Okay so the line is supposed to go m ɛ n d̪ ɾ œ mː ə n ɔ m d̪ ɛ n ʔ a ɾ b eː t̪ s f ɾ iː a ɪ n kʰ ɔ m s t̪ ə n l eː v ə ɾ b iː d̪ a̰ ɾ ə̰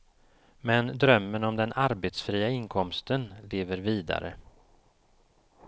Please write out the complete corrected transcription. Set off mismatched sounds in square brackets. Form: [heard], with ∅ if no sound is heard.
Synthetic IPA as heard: m ɛ n d̪ ɾ œ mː ə n ɔ m d̪ ɛ n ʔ a ɾ b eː t̪ s f ɾ iː a ɪ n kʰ ɔ m s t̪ ə n l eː v ə ɾ [v] iː d̪ a̰ ɾ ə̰